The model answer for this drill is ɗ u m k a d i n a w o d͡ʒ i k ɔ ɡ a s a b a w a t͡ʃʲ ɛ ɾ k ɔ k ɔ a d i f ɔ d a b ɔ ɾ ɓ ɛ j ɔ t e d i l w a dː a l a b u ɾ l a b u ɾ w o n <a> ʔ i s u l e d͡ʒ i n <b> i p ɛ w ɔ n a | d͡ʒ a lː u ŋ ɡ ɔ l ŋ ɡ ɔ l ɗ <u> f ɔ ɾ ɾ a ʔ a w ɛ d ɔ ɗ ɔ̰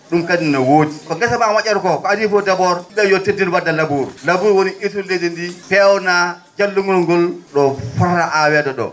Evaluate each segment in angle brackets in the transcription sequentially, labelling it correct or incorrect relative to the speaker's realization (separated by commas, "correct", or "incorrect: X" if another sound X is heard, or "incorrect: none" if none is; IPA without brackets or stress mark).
incorrect: i, incorrect: d, incorrect: ɔ